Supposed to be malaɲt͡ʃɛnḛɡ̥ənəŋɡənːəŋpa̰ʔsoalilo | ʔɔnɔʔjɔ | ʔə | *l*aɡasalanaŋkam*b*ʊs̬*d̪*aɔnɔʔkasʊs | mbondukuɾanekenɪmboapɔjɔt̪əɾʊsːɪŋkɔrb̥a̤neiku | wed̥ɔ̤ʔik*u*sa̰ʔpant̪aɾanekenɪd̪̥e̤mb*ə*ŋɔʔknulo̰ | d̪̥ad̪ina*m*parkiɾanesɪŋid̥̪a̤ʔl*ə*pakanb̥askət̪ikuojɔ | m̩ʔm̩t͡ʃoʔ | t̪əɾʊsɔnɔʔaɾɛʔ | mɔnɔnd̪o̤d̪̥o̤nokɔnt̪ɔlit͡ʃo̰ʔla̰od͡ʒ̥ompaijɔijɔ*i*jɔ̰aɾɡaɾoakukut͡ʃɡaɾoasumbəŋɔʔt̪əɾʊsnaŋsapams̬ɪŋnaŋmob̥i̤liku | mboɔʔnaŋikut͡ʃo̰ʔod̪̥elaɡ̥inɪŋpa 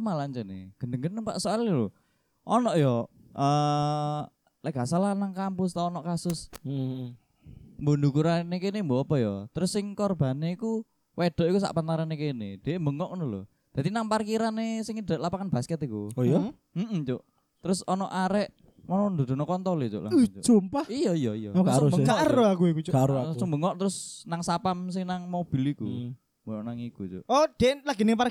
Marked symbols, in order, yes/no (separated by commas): yes, no, no, yes, yes, no, no, yes